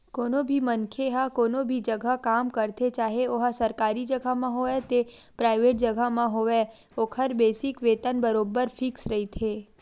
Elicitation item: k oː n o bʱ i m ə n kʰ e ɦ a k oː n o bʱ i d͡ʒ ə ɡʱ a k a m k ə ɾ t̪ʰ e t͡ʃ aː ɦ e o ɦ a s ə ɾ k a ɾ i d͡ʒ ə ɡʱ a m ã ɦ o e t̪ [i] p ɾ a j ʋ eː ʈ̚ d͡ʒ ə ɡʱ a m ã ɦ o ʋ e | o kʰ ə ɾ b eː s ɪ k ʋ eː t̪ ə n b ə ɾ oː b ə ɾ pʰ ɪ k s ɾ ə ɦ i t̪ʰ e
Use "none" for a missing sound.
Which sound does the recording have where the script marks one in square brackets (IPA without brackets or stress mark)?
e